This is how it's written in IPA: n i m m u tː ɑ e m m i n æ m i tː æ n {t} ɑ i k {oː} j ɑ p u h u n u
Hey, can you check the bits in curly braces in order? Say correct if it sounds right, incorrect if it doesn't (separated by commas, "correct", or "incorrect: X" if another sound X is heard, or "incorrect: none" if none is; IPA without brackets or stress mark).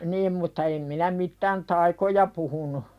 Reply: correct, incorrect: o